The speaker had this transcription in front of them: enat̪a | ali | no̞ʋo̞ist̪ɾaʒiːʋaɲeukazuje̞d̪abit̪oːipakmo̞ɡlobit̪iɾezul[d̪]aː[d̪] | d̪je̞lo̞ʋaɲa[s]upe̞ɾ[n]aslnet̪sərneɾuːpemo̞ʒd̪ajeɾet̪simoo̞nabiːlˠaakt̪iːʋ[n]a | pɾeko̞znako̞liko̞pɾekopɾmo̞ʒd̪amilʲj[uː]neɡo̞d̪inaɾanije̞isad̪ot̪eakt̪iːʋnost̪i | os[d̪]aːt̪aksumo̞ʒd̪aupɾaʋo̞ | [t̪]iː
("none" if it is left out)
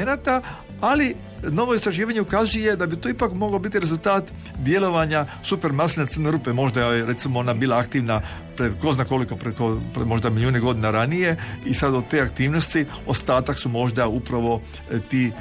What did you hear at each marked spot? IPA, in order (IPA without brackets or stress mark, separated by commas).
t̪, t̪, s, m, n, uː, t̪, t̪